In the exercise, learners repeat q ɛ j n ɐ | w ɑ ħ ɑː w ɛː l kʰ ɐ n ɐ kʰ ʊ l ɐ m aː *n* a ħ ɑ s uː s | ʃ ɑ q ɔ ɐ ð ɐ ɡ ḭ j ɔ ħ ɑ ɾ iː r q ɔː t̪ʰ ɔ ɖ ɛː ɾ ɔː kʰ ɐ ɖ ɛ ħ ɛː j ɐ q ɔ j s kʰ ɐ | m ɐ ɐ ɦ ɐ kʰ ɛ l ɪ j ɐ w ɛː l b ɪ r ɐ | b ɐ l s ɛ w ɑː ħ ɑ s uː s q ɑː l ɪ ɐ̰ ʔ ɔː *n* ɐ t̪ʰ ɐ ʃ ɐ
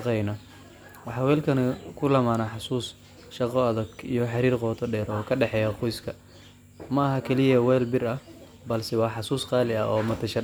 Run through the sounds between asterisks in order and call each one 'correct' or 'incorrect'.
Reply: correct, incorrect

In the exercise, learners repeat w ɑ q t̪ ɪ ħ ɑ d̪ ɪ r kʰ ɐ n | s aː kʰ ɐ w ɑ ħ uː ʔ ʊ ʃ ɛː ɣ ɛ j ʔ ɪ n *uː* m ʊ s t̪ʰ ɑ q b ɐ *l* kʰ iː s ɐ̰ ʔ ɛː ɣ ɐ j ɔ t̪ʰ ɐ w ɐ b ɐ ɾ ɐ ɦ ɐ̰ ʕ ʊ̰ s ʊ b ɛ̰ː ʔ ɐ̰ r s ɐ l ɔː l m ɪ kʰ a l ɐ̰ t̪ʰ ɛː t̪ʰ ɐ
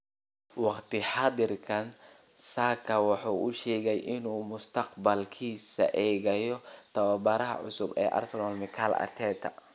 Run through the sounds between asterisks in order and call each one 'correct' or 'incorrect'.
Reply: correct, correct

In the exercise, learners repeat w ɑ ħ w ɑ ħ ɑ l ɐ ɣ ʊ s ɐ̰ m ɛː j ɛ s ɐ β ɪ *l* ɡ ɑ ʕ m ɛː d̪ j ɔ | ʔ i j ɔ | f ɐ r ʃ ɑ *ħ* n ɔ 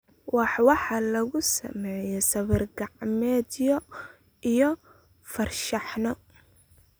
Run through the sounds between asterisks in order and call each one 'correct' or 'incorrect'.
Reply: incorrect, correct

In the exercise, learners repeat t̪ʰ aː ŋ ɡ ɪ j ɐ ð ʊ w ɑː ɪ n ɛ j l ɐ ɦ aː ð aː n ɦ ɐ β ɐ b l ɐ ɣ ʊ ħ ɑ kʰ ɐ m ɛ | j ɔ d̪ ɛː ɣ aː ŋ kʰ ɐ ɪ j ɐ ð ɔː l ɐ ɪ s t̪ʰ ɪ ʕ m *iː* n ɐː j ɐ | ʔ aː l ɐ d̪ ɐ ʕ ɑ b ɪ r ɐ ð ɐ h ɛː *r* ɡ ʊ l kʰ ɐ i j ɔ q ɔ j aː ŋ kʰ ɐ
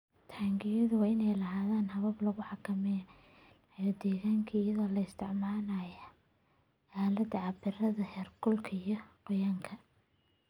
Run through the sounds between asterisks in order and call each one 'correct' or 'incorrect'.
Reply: incorrect, correct

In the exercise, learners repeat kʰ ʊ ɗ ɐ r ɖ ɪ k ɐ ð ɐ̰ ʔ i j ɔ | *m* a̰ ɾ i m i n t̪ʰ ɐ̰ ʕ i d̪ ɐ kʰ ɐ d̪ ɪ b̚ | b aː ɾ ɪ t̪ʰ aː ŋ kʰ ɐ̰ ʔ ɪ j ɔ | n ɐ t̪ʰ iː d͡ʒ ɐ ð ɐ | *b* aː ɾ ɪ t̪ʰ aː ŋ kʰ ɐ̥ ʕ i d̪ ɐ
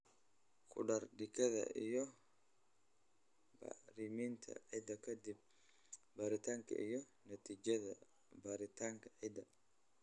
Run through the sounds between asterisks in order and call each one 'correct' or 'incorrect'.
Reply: incorrect, correct

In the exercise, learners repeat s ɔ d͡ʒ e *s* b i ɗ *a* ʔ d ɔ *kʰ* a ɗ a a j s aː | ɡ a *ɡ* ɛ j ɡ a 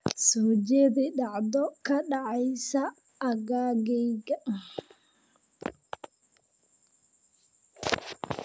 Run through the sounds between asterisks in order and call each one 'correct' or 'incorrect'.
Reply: incorrect, correct, incorrect, correct

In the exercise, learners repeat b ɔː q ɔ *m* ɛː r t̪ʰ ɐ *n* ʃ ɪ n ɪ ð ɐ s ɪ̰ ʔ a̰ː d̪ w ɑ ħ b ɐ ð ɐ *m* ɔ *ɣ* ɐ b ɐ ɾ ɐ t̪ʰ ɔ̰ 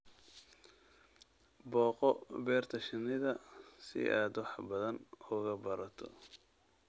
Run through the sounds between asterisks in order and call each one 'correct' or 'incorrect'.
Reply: incorrect, incorrect, incorrect, correct

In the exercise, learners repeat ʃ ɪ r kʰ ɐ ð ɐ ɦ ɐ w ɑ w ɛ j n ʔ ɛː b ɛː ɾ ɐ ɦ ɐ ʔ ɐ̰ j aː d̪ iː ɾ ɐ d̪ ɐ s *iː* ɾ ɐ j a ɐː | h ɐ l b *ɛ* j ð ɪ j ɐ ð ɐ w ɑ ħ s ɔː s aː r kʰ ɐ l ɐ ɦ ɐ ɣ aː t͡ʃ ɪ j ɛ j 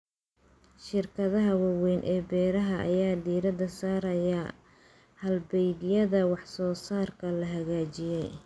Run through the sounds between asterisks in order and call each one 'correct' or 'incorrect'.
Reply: incorrect, correct

